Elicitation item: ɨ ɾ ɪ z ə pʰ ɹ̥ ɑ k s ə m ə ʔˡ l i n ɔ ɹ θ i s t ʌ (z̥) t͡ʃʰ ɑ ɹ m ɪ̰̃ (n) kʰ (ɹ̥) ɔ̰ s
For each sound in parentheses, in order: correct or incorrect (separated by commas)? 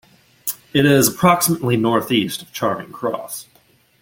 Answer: incorrect, incorrect, correct